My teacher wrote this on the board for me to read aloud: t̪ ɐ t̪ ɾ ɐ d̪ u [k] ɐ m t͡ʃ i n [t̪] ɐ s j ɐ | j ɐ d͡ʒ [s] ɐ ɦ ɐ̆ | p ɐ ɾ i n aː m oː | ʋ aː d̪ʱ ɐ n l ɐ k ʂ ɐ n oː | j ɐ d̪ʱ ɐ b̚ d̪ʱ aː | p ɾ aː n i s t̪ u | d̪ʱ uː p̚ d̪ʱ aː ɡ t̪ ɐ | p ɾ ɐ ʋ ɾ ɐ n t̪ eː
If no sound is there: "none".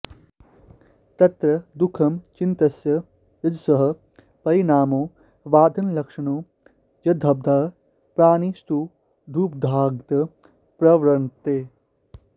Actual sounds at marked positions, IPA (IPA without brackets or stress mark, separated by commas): kʰ, t̪, s